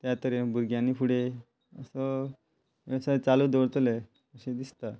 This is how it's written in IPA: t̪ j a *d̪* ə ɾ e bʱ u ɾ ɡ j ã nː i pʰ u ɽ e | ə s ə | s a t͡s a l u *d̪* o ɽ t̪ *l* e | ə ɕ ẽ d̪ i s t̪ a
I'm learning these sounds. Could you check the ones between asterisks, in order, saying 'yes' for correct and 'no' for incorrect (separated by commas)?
no, yes, yes